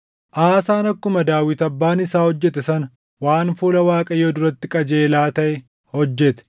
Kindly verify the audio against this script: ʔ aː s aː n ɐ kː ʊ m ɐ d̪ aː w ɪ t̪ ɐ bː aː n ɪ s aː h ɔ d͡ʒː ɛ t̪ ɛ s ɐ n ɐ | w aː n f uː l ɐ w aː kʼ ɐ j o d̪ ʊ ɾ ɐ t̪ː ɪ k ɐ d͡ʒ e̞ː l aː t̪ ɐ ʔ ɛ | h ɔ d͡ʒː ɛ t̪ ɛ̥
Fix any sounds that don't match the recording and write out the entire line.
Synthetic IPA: ʔ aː s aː n ɐ kː ʊ m ɐ d̪ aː w ɪ t̪ ɐ bː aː n ɪ s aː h ɔ d͡ʒː ɛ t̪ ɛ s ɐ n ɐ | w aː n f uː l ɐ w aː kʼ ɐ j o d̪ ʊ ɾ ɐ t̪ː ɪ kʼ ɐ d͡ʒ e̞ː l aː t̪ ɐ ʔ ɛ | h ɔ d͡ʒː ɛ t̪ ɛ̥